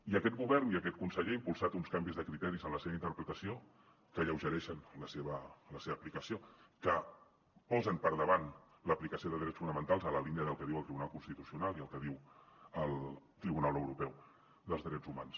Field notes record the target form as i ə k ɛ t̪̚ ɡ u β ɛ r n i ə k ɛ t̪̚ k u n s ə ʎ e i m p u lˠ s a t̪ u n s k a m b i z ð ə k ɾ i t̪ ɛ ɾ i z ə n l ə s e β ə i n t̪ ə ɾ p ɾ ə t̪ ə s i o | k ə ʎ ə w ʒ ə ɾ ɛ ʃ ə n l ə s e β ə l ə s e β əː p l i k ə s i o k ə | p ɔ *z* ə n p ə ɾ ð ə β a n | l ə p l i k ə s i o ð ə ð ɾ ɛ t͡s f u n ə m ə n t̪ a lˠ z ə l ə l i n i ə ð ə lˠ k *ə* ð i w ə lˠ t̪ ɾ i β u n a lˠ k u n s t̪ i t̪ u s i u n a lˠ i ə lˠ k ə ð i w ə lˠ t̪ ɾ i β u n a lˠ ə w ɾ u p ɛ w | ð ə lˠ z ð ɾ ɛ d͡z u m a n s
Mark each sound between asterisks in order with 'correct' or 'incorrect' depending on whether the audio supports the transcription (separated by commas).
correct, correct